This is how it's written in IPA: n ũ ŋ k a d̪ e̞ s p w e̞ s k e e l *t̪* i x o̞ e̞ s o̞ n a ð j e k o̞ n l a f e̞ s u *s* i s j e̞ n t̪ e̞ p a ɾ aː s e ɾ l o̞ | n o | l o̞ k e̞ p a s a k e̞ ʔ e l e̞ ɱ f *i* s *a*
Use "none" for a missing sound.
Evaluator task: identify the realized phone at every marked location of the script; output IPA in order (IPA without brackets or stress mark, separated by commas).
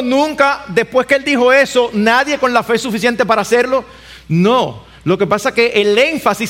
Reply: d̪, f, a, i